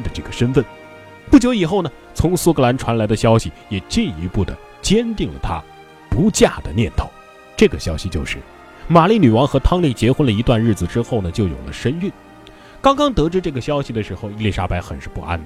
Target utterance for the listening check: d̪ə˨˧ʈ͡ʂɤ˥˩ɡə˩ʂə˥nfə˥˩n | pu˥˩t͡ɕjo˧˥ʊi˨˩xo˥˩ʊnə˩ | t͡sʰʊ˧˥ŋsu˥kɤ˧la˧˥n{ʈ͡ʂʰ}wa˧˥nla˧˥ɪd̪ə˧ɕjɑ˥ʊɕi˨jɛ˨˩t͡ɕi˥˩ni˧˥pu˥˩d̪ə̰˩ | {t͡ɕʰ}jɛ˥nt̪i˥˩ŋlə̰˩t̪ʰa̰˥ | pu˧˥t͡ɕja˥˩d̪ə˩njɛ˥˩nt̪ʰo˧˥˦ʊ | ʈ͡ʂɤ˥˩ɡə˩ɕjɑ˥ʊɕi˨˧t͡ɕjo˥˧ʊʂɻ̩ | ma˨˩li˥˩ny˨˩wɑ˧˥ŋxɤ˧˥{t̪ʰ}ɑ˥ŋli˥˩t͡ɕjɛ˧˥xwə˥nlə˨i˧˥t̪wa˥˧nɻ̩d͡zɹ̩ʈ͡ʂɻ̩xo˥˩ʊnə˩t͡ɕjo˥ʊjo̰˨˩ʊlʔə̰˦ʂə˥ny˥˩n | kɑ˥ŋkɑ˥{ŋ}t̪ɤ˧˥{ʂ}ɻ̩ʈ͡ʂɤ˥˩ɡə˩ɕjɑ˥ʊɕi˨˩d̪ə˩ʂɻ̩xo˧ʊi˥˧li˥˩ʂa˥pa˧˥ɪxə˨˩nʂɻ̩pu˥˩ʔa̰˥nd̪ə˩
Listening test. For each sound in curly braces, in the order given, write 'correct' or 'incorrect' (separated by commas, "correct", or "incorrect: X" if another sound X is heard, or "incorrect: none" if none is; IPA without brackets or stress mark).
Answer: correct, incorrect: t͡ɕ, correct, correct, incorrect: ʈ͡ʂ